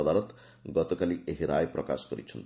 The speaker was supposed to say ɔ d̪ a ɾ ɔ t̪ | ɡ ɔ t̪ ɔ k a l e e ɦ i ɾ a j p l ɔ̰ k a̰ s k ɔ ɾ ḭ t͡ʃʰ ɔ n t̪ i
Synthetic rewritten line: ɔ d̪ a ɾ ɔ t̪ | ɡ ɔ t̪ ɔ k a l i e ɦ i ɾ a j p ɾ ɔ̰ k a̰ s k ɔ ɾ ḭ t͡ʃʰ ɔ n t̪ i